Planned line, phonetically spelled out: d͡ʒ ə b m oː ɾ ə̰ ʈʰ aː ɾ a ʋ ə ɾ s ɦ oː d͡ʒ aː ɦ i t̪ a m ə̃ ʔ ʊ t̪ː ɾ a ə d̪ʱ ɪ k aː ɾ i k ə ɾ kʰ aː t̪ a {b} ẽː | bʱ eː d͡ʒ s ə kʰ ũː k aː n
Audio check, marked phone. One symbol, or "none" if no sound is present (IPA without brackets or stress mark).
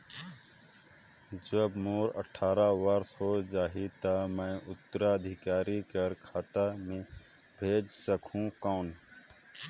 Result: m